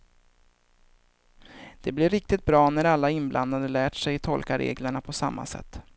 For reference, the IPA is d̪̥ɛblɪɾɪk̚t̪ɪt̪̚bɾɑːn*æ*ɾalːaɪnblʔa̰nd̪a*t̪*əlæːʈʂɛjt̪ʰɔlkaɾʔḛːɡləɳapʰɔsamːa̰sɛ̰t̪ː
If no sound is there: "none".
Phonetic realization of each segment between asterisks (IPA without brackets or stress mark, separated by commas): æ, d̪